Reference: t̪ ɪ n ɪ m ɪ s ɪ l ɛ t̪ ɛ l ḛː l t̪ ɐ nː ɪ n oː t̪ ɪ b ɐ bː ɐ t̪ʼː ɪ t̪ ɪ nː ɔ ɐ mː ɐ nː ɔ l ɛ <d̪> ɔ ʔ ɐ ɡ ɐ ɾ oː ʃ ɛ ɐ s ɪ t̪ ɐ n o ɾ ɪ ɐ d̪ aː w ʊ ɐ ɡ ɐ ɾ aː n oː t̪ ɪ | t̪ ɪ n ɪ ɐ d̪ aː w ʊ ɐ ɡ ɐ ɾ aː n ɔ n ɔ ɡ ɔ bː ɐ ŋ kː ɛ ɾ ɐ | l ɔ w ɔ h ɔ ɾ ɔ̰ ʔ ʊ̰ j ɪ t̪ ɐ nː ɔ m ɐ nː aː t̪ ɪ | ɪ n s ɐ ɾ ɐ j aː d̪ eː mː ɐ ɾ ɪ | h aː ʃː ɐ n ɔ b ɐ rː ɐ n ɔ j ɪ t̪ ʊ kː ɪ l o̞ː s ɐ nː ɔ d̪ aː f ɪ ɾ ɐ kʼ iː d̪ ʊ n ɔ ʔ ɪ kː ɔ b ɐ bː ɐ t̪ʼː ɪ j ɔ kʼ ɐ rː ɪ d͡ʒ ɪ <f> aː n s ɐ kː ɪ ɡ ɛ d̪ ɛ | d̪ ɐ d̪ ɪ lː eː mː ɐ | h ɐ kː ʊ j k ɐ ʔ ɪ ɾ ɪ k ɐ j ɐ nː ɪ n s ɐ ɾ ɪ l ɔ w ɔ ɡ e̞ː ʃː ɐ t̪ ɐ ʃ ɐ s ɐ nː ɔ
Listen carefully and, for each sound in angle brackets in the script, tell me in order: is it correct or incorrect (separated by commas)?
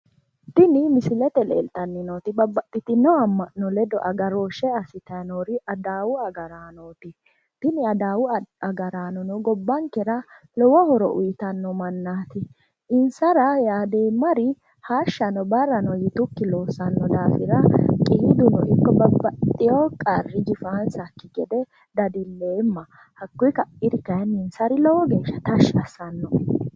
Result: correct, correct